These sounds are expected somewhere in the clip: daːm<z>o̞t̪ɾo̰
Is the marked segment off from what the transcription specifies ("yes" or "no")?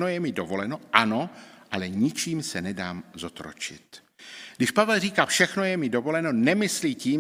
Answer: no